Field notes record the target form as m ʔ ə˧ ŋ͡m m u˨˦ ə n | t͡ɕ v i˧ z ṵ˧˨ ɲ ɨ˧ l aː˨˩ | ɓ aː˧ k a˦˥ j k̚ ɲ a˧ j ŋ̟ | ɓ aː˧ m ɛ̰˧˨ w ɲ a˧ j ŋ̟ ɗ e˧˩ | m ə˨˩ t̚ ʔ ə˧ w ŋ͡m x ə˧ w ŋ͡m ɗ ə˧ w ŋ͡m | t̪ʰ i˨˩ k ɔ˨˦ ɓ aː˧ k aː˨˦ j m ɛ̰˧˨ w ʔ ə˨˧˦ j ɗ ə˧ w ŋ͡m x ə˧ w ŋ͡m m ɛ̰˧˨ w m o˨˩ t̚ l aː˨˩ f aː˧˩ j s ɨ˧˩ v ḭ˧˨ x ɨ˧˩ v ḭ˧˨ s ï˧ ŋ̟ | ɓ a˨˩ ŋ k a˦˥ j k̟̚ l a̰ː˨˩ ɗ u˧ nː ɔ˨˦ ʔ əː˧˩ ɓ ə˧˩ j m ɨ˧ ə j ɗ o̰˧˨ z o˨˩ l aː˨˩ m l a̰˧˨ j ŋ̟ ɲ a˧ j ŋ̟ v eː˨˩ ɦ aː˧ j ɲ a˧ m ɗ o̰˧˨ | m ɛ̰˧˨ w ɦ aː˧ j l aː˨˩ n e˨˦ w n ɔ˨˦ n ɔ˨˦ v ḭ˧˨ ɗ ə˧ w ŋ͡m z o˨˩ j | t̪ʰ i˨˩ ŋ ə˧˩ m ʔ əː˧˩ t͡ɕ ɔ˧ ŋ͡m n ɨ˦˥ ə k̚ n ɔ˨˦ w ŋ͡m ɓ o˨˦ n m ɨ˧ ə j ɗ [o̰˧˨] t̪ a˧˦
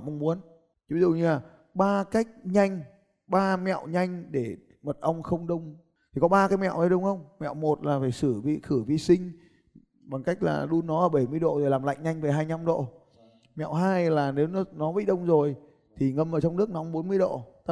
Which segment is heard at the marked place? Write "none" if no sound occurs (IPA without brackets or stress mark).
o̰˧˨